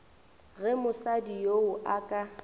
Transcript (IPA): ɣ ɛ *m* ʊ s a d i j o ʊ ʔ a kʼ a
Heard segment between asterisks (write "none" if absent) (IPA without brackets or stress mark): m